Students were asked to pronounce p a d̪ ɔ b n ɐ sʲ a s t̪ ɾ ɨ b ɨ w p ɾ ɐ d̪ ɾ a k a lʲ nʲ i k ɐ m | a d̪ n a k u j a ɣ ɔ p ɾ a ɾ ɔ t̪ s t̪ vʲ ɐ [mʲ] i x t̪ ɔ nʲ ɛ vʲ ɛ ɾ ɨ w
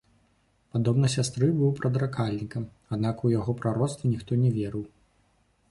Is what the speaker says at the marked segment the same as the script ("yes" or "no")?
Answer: no